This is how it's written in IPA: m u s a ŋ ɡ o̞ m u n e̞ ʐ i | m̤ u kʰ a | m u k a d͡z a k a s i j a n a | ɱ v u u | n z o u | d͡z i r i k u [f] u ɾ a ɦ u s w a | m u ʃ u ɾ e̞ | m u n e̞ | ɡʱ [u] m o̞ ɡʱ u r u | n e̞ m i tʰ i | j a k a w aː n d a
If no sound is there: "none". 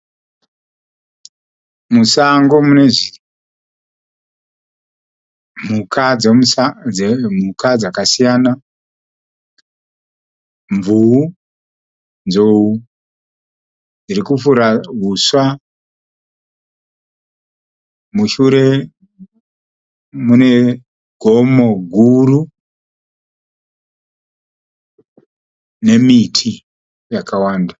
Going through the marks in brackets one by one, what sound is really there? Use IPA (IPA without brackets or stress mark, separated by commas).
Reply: f, o